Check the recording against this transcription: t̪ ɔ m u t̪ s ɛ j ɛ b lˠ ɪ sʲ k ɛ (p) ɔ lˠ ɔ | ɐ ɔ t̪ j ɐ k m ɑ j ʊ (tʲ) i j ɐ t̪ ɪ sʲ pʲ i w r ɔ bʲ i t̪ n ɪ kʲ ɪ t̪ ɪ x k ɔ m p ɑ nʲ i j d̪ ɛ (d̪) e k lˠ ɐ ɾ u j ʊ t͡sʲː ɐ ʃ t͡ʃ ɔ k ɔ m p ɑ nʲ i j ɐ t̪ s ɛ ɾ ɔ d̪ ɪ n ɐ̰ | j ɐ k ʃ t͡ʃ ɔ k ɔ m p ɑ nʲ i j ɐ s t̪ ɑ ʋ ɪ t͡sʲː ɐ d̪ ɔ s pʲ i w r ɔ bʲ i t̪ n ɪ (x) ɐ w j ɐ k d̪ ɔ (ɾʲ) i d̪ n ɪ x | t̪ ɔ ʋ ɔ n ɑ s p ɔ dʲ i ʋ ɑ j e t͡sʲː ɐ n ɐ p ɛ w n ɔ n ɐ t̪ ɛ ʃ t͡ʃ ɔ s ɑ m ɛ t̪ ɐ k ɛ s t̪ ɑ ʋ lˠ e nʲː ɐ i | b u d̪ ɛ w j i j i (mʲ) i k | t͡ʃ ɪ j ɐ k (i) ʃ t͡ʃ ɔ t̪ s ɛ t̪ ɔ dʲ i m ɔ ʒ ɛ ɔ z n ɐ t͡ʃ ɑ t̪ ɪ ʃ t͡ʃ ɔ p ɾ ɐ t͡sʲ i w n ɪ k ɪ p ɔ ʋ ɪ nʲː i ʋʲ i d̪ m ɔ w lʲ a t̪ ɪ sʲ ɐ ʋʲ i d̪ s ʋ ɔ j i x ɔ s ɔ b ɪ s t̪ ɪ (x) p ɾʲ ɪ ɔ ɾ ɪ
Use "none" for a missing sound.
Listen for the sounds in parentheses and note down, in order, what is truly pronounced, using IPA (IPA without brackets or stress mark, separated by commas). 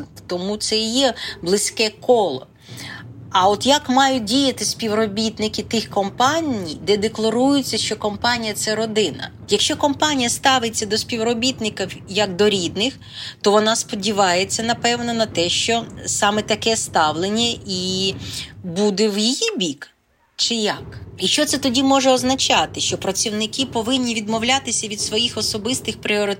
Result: k, dʲ, d̪, k, ɾʲ, bʲ, i, x